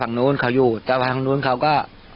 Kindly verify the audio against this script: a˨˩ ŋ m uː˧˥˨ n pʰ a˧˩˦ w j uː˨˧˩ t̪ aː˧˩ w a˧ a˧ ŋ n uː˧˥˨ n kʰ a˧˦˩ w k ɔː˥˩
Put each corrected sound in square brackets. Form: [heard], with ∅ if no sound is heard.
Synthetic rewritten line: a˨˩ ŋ [n] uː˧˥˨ n [kʰ] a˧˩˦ w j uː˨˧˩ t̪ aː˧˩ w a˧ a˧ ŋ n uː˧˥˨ n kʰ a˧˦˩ w k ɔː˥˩

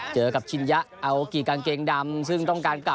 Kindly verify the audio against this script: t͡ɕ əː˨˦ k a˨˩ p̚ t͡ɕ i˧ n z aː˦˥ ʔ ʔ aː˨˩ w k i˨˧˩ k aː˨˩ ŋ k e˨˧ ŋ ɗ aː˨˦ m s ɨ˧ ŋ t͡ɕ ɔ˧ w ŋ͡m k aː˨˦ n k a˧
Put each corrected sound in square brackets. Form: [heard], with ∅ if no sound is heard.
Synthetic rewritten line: t͡ɕ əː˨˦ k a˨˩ p̚ t͡ɕ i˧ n z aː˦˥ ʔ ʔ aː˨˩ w k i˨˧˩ k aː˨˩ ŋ k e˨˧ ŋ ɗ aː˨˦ m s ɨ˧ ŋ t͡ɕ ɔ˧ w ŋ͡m k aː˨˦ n k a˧

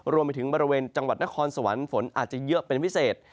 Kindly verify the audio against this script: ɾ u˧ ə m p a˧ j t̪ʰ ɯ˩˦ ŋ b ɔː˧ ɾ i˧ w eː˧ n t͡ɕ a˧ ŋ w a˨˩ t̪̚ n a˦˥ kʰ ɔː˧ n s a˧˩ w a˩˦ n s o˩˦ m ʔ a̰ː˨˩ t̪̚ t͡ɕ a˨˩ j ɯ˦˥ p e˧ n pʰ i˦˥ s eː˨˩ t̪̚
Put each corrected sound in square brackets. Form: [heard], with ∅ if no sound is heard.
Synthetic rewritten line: ɾ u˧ ə m p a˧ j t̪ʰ ɯ˩˦ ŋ b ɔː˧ ɾ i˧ w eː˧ n t͡ɕ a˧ ŋ w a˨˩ t̪̚ n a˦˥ kʰ ɔː˧ n s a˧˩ w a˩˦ n [f] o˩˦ [n] ʔ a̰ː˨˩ t̪̚ t͡ɕ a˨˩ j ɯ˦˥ p e˧ n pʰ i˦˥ s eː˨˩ t̪̚

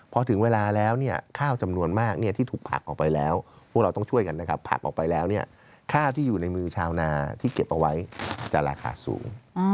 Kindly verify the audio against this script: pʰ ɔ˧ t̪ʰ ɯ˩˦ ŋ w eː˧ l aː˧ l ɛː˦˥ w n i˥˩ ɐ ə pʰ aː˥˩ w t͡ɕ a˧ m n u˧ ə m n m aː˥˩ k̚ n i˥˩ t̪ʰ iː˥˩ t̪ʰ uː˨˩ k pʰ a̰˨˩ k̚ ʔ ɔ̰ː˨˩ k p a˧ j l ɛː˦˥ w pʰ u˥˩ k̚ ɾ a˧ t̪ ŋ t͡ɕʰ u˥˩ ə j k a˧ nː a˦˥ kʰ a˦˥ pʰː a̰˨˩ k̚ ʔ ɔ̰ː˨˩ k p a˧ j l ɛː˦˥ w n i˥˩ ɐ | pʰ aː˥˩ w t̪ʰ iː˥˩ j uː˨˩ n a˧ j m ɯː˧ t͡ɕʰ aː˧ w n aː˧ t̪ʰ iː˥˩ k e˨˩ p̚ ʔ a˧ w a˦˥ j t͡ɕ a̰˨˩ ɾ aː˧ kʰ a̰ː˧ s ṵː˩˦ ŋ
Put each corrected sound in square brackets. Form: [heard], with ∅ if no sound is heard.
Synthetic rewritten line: pʰ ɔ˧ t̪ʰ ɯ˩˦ ŋ w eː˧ l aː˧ l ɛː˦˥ w n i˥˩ ɐ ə [kʰ] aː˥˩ w t͡ɕ a˧ m n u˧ ə [∅] n m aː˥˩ k̚ n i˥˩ t̪ʰ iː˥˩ t̪ʰ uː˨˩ k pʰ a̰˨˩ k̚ ʔ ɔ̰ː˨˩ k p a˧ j l ɛː˦˥ w pʰ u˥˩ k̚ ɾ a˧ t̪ ŋ t͡ɕʰ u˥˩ ə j k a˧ nː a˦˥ kʰ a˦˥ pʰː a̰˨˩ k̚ ʔ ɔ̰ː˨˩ k p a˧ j l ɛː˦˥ w n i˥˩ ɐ | [kʰ] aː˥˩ w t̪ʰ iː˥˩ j uː˨˩ n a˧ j m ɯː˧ t͡ɕʰ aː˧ w n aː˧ t̪ʰ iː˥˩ k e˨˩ p̚ ʔ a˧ w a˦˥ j t͡ɕ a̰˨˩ ɾ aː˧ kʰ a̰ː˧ s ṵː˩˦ ŋ

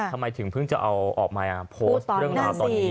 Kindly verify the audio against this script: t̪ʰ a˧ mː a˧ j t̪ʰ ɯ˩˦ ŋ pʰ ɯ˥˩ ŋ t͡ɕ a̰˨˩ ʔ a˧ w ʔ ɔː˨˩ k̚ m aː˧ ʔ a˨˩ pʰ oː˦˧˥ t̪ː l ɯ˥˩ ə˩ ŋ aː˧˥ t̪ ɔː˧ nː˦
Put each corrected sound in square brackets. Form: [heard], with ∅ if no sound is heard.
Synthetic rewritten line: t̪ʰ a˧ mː a˧ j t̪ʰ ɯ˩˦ ŋ pʰ ɯ˥˩ ŋ t͡ɕ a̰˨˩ ʔ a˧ w ʔ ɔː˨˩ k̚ m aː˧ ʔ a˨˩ pʰ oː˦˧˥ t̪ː [ɾ] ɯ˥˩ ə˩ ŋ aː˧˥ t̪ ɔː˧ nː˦

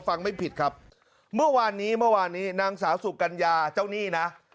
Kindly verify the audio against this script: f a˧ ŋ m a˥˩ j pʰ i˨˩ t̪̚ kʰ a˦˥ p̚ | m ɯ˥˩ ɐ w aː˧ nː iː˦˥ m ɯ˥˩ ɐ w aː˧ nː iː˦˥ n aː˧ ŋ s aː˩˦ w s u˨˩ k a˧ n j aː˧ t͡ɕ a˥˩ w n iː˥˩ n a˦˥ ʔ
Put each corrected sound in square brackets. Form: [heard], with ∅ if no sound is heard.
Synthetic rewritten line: f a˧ ŋ m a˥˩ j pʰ i˨˩ t̪̚ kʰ a˦˥ p̚ | m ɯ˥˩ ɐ w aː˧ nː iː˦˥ m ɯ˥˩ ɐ w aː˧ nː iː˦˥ n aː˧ ŋ s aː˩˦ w s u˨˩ k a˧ n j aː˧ t͡ɕ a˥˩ w n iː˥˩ n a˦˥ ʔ

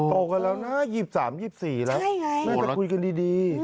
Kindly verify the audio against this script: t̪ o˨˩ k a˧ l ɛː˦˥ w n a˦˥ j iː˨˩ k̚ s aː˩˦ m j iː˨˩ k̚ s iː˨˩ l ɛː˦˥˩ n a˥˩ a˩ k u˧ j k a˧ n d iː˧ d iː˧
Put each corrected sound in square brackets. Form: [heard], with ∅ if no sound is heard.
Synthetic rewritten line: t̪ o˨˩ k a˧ l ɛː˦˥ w n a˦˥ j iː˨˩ [p̚] s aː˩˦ m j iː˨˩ [p̚] s iː˨˩ l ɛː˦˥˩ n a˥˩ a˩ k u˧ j k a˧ n d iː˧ d iː˧

